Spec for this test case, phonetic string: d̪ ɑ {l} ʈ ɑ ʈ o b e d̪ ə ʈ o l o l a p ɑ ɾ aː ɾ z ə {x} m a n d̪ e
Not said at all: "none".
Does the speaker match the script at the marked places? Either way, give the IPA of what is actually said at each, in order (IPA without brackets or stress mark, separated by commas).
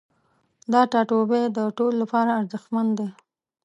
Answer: none, x